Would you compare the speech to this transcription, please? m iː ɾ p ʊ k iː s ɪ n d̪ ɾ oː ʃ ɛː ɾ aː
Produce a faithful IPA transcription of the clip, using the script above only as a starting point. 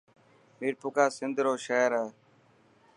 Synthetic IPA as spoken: m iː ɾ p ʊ k aː s ɪ n d̪ ɾ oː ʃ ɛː ɾ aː